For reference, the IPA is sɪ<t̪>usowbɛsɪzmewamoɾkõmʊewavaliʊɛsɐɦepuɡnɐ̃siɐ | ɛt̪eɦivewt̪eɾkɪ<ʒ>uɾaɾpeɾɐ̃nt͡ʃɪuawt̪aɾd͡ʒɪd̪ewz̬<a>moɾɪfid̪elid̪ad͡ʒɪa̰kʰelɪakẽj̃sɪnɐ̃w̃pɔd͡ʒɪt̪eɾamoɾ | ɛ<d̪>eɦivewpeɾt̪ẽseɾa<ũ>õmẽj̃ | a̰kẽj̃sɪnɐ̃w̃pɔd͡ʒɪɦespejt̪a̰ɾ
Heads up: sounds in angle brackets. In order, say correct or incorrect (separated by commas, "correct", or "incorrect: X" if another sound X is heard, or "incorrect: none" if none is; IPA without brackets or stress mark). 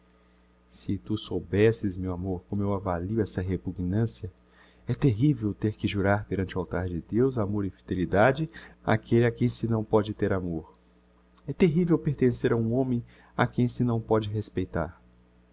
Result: correct, correct, correct, incorrect: t̪, correct